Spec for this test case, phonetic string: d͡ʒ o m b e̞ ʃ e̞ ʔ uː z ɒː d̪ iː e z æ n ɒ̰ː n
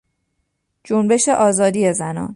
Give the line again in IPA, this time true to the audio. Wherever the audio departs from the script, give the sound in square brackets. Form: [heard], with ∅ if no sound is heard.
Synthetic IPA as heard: d͡ʒ o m b e̞ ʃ e̞ ʔ [ɒː] z ɒː d̪ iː e z æ n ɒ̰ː n